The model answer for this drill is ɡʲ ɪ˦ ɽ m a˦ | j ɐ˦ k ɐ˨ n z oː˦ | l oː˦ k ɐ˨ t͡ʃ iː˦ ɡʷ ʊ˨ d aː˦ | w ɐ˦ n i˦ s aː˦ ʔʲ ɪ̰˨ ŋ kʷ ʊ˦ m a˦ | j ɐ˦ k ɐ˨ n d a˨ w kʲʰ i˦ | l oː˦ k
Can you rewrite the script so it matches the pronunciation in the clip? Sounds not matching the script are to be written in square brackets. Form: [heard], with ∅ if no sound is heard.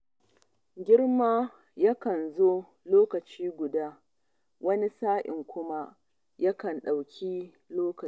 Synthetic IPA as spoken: ɡʲ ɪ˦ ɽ m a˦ | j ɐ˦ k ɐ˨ n z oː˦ | l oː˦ k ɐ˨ t͡ʃ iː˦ ɡʷ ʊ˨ d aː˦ | w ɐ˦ n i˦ s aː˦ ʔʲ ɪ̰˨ ŋ kʷ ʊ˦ m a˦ | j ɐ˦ k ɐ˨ n [ɗ] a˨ w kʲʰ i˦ | l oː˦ k